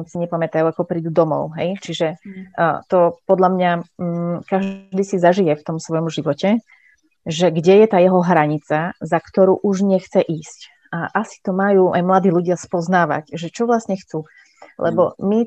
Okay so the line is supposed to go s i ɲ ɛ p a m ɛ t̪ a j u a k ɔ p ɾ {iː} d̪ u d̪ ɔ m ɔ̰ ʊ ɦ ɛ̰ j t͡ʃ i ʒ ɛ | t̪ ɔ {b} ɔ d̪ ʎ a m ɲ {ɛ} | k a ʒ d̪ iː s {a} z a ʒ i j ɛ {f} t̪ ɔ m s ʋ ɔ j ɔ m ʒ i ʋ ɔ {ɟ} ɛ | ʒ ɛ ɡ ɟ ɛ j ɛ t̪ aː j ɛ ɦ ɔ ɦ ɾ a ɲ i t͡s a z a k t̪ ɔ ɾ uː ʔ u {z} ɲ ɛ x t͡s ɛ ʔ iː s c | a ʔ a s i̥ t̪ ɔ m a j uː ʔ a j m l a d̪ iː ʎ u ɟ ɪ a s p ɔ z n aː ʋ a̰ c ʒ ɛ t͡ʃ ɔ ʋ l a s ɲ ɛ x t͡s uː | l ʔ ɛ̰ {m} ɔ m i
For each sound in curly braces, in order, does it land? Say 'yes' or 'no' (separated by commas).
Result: yes, no, no, no, yes, no, no, no